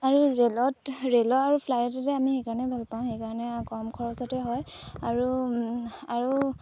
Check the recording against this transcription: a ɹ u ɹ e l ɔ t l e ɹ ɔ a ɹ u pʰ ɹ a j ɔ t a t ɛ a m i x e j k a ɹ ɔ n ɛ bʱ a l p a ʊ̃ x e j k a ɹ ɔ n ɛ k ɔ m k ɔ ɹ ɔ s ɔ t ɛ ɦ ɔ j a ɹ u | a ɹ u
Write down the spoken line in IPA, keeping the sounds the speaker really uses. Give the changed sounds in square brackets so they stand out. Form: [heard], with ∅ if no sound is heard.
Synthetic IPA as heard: a ɹ u ɹ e l ɔ t [ɹ] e [l] ɔ a ɹ u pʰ [l] a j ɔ t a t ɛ a m i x e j k a ɹ ɔ n ɛ bʱ a l p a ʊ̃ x e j k a ɹ ɔ n ɛ k ɔ m [kʰ] ɔ ɹ ɔ s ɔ t ɛ ɦ ɔ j a ɹ u | a ɹ u